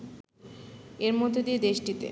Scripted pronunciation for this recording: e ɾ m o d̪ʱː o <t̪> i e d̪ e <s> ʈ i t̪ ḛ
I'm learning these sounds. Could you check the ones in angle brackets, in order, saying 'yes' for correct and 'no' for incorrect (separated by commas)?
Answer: no, no